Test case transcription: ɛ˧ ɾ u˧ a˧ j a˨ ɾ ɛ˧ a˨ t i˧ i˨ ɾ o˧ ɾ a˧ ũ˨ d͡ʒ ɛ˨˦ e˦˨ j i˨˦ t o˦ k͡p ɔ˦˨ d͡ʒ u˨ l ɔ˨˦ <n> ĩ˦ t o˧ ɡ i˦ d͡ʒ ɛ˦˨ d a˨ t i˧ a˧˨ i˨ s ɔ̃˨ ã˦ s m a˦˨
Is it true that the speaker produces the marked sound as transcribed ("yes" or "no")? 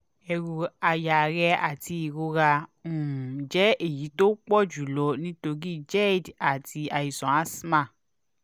yes